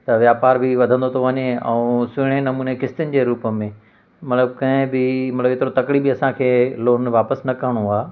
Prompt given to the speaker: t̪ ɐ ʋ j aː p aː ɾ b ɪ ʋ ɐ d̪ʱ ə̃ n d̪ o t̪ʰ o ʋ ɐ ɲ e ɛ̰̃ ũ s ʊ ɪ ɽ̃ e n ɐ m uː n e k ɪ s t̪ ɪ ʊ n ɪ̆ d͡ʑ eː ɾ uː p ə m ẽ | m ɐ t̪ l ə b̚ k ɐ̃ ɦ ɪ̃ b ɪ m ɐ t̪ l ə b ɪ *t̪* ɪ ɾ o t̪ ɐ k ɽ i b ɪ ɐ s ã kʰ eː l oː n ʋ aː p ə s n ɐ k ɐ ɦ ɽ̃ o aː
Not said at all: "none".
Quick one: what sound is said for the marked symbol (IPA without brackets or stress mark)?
t̪